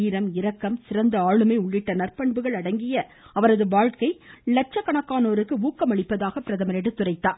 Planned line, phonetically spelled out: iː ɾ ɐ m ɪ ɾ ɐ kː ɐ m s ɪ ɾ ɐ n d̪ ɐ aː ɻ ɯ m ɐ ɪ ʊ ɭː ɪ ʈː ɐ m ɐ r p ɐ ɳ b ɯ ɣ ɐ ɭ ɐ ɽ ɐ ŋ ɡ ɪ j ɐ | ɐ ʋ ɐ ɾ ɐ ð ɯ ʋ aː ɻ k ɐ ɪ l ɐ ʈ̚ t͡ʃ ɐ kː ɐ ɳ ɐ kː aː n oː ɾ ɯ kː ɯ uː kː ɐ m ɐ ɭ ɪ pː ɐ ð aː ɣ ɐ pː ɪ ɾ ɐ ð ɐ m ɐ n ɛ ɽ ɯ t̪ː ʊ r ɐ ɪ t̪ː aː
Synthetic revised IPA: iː ɾ ɐ m ɪ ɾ ɐ kː ɐ m s ɪ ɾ ɐ n d̪ ɐ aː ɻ ɯ m ɐ ɪ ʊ ɭː ɪ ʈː ɐ n ɐ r p ɐ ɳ b ɯ ɣ ɐ ɭ ɐ ɽ ɐ ŋ ɡ ɪ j ɐ | ɐ ʋ ɐ ɾ ɐ ð ɯ ʋ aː ɻ k ɐ ɪ l ɐ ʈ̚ t͡ʃ ɐ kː ɐ ɳ ɐ kː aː n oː ɾ ɯ kː ɯ uː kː ɐ m ɐ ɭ ɪ pː ɐ ð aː ɣ ɐ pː ɪ ɾ ɐ ð ɐ m ɐ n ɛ ɽ ɯ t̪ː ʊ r ɐ ɪ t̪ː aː